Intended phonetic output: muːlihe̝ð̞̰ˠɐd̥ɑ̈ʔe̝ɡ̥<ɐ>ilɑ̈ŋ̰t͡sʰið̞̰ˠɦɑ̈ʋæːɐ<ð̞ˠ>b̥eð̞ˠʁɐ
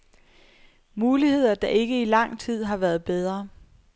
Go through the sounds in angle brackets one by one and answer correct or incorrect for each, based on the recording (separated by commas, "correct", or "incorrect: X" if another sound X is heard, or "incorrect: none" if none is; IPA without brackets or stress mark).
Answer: incorrect: ə, correct